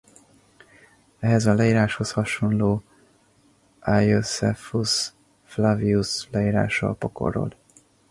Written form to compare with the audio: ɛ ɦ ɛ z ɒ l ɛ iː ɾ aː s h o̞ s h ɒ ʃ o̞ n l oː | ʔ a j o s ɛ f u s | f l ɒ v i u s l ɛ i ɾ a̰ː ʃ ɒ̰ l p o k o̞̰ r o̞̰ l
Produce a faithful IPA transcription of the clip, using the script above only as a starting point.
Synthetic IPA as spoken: ɛ ɦ ɛ z ɒ l ɛ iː ɾ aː ʃ h o̞ s h ɒ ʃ o̞ n l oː | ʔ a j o s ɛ f u s | f l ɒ v i u s l ɛ iː ɾ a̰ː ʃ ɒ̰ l p o k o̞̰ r o̞̰ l

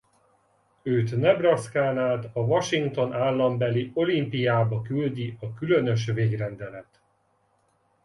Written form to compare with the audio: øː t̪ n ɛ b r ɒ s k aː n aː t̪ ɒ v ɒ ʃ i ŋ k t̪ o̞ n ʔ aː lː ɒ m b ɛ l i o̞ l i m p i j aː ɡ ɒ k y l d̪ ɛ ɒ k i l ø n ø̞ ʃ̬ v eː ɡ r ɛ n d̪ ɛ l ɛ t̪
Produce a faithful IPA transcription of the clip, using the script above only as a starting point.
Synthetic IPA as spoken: øː t̪ n ɛ b r ɒ s k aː n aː t̪ ɒ v ɒ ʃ i ŋ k t̪ o̞ n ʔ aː lː ɒ m b ɛ l i o̞ l i m p i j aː b ɒ k y l d̪ i ɒ k y l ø n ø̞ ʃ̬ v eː ɡ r ɛ n d̪ ɛ l ɛ t̪

